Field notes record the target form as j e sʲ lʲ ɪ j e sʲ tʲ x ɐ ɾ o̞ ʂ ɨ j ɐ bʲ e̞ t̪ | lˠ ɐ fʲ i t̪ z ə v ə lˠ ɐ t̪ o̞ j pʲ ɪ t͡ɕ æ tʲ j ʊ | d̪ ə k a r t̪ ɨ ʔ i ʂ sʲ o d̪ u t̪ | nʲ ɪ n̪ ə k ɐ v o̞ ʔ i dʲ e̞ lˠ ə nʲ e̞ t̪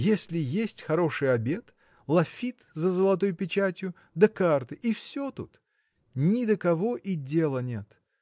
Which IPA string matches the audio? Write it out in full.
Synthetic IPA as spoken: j e sʲ lʲ ɪ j e sʲ tʲ x ɐ ɾ o̞ ʂ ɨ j ɐ bʲ e̞ t̪ | lˠ ɐ fʲ i t̪ z ə z ə lˠ ɐ t̪ o̞ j pʲ ɪ t͡ɕ æ tʲ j ʊ | d̪ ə k a r t̪ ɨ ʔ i f sʲ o t̪ u t̪ | nʲ ɪ d̪ ə k ɐ v o̞ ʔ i dʲ e̞ lˠ ə nʲ e̞ t̪